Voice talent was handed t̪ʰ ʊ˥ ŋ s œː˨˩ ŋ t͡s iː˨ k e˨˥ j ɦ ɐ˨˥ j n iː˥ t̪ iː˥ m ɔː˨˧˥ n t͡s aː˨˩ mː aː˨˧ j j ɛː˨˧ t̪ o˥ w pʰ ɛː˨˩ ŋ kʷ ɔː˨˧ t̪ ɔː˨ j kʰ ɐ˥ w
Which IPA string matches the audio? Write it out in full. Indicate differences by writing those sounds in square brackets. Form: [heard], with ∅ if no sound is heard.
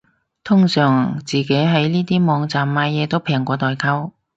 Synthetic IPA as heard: t̪ʰ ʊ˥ ŋ s œː˨˩ ŋ t͡s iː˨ k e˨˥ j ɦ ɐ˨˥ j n iː˥ t̪ iː˥ m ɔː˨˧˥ [ŋ] t͡s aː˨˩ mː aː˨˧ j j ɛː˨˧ t̪ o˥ w pʰ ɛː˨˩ ŋ kʷ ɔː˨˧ t̪ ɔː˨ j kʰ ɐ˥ w